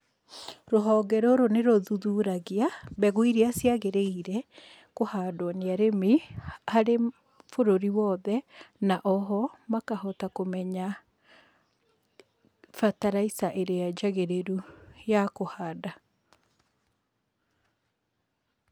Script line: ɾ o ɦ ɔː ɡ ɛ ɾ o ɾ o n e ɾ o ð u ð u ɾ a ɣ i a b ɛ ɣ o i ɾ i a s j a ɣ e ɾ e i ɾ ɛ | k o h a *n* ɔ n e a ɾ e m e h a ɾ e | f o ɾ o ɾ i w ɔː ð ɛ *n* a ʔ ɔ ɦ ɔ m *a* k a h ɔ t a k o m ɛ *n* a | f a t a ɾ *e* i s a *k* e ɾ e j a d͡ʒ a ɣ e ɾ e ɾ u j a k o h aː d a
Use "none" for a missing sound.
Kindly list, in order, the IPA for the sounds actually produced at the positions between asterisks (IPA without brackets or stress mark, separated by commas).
d, n, a, ɲ, a, ʔ